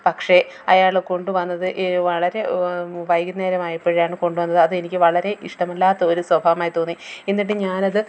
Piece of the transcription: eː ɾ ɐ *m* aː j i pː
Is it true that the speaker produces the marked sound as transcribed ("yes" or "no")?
yes